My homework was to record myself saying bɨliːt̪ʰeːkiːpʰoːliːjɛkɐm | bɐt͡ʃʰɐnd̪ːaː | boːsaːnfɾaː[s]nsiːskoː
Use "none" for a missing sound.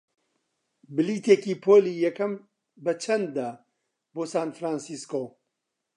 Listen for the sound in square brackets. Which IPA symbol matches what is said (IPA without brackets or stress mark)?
none